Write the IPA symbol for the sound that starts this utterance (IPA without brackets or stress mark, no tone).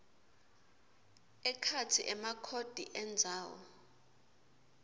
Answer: ɛ